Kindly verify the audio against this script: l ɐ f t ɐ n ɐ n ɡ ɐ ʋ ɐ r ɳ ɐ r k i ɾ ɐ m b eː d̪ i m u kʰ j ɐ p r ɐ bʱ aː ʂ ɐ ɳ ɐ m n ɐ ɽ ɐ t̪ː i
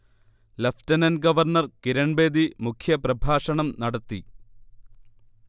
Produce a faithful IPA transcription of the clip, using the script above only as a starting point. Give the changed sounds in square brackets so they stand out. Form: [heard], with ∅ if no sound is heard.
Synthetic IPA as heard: l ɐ f t ɐ n ɐ n ɡ ɐ ʋ ɐ r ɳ ɐ r k i ɾ ɐ [ɳ] b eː d̪ i m u kʰ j ɐ p r ɐ bʱ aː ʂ ɐ ɳ ɐ m n ɐ ɽ ɐ t̪ː i

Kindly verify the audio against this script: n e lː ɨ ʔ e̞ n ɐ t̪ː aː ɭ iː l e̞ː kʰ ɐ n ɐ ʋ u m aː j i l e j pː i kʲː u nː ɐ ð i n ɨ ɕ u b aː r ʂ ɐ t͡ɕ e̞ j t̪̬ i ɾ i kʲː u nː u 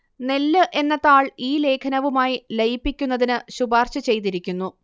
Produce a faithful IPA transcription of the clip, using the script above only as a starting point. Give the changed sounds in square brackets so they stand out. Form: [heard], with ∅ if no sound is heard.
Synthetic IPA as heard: n e lː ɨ ʔ e̞ [nː] ɐ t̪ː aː ɭ iː l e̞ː kʰ ɐ n ɐ ʋ u m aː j i l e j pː i kʲː u nː ɐ ð i n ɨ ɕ u b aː r [ɕ] ɐ t͡ɕ e̞ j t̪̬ i ɾ i kʲː u nː u

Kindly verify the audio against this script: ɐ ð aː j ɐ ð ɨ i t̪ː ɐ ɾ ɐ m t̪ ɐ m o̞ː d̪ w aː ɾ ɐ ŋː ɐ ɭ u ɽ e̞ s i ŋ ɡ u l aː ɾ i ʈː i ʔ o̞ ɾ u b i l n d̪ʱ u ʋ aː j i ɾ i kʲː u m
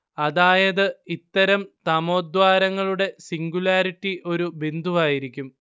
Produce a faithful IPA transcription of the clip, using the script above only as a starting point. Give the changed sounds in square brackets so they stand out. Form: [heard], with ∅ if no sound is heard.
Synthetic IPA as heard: ɐ ð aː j ɐ ð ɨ i t̪ː ɐ ɾ ɐ m t̪ ɐ m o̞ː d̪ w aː ɾ ɐ ŋː ɐ ɭ u ɽ e̞ s i ŋ ɡ u l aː ɾ i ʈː i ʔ o̞ ɾ u b i [∅] n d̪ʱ u ʋ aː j i ɾ i kʲː u m

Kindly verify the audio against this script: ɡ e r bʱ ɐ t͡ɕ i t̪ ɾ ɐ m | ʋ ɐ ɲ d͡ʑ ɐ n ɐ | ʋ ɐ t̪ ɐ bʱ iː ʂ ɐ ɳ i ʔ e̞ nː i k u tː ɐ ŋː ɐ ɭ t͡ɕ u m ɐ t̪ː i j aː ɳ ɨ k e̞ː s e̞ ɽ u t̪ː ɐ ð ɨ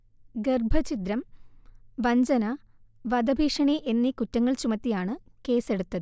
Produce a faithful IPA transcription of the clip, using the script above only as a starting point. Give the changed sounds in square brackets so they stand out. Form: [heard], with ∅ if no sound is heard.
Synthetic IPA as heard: ɡ e r bʱ ɐ t͡ɕ i t̪ ɾ ɐ m | ʋ ɐ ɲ d͡ʑ ɐ n ɐ | ʋ ɐ [d̪] ɐ bʱ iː ʂ ɐ ɳ i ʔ e̞ nː i k u tː ɐ ŋː ɐ ɭ t͡ɕ u m ɐ t̪ː i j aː ɳ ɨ k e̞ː s e̞ ɽ u t̪ː ɐ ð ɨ

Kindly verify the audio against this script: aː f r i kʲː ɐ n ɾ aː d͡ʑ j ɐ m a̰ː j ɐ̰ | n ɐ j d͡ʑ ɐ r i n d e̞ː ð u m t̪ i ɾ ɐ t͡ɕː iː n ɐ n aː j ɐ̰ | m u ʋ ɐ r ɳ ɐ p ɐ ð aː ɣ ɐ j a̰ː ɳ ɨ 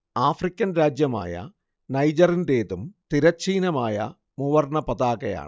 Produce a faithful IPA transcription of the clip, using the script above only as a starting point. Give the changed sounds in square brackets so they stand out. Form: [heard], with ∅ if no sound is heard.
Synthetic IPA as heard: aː f r i kʲː ɐ n ɾ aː d͡ʑ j ɐ m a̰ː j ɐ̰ | n ɐ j d͡ʑ ɐ r i n d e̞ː ð u m t̪ i ɾ ɐ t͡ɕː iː n ɐ [m] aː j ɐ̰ | m u ʋ ɐ r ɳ ɐ p ɐ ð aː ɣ ɐ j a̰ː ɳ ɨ

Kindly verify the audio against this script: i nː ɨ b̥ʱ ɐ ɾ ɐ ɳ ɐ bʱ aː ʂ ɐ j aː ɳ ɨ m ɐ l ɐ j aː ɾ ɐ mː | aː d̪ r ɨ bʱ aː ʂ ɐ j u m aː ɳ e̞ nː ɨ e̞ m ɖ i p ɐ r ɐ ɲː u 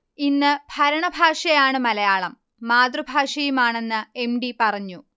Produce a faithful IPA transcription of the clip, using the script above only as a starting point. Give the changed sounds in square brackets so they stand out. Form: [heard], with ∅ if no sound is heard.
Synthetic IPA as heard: i nː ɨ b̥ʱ ɐ ɾ ɐ ɳ ɐ bʱ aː ʂ ɐ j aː ɳ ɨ m ɐ l ɐ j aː [ɭ] ɐ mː | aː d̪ r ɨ bʱ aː ʂ ɐ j u m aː ɳ e̞ nː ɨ e̞ m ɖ i p ɐ r ɐ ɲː u

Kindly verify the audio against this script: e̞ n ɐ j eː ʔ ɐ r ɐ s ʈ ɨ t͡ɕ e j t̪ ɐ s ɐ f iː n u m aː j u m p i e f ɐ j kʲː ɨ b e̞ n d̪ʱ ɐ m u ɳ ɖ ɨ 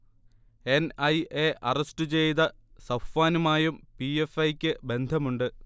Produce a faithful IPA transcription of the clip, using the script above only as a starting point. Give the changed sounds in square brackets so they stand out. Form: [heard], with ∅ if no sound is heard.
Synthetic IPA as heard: e̞ n ɐ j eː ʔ ɐ r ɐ s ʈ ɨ t͡ɕ e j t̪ ɐ s ɐ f [aː] n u m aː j u m p i e f ɐ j kʲː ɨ b e̞ n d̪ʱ ɐ m u ɳ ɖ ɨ

